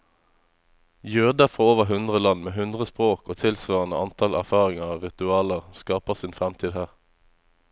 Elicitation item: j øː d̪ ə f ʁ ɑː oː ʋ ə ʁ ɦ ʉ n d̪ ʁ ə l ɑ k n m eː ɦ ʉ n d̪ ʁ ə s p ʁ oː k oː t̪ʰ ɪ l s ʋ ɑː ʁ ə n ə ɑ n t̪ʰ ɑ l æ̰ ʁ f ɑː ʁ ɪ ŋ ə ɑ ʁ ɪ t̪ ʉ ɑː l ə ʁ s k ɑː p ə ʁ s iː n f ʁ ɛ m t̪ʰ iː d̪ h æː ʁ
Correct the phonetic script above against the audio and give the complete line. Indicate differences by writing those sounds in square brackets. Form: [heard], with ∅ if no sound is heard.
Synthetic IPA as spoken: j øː d̪ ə f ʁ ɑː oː ʋ ə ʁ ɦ ʉ n d̪ ʁ ə l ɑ [∅] n m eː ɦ ʉ n d̪ ʁ ə s p ʁ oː k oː t̪ʰ ɪ l s ʋ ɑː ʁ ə n ə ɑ n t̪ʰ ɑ l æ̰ ʁ f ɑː ʁ ɪ ŋ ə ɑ ʁ ɪ t̪ ʉ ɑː l ə ʁ s k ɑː p ə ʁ s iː n f ʁ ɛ m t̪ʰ iː d̪ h æː ʁ